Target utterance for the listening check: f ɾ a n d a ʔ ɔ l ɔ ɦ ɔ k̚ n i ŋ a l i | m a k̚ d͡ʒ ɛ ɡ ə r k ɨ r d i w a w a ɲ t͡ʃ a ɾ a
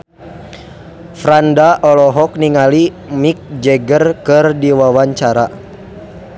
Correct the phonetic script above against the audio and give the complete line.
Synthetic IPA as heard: f ɾ a n d a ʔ ɔ l ɔ ɦ ɔ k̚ n i ŋ a l i | m i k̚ d͡ʒ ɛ ɡ ə r k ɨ r d i w a w a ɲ t͡ʃ a ɾ a